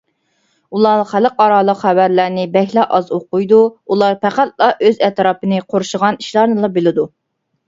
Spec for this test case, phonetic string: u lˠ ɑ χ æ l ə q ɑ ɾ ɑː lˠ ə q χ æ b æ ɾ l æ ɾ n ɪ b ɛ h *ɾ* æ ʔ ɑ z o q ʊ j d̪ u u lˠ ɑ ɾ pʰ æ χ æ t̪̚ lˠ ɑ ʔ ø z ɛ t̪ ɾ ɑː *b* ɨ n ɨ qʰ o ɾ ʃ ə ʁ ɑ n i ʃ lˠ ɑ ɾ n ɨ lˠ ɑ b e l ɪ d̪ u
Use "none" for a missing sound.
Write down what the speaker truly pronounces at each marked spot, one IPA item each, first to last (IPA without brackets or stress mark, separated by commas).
l, p